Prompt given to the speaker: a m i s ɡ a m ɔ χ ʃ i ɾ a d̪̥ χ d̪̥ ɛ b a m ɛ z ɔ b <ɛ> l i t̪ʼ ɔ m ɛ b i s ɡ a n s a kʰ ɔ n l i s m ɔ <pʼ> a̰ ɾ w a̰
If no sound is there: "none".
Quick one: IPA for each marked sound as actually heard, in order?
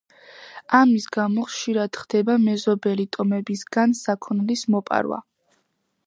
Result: ɛ, pʼ

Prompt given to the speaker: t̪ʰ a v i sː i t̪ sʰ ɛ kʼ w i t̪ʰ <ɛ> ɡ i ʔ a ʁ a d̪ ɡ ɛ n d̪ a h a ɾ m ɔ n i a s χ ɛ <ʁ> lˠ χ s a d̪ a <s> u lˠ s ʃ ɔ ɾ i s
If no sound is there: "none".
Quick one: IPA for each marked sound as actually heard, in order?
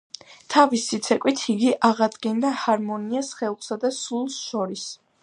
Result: i, none, s

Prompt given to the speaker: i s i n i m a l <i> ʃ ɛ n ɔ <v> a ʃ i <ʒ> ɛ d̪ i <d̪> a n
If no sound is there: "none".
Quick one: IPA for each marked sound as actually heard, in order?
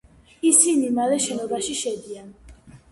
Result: ɛ, b, ʃ, none

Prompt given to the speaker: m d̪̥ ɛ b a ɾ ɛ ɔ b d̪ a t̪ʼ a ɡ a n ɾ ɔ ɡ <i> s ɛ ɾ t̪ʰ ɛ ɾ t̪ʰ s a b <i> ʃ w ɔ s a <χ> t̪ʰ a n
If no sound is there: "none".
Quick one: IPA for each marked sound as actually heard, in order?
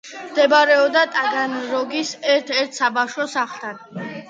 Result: i, a, χ

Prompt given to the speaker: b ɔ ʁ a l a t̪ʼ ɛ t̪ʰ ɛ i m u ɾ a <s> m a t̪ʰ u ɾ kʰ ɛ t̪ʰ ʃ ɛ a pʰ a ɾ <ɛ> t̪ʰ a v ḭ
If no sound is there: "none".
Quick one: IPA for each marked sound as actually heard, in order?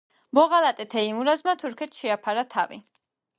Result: z, a

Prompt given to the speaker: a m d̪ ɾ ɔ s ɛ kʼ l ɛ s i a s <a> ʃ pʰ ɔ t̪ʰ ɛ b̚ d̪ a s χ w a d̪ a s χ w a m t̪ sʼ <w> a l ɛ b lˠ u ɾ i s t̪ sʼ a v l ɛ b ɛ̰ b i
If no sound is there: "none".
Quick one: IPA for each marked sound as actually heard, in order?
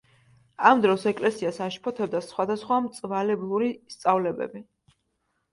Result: a, v

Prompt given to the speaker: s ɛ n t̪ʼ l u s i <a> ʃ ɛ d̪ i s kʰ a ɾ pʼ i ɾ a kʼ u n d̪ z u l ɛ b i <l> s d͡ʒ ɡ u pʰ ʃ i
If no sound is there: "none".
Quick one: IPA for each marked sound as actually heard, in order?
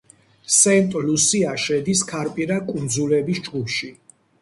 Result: a, none

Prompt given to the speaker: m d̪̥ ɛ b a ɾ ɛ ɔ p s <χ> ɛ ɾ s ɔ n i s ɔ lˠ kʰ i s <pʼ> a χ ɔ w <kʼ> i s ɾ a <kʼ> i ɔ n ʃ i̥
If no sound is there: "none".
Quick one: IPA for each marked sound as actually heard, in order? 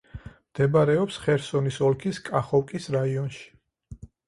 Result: χ, kʼ, kʼ, none

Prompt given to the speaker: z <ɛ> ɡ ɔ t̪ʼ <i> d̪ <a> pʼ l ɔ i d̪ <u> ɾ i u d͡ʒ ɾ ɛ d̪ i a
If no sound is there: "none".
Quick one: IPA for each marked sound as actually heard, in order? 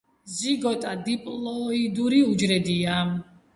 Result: i, a, i, u

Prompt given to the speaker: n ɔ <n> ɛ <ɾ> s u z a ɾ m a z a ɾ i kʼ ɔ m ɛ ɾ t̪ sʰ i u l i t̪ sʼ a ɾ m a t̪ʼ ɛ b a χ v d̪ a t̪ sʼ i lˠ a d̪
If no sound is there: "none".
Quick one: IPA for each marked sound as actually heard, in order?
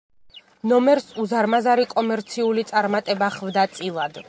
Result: m, ɾ

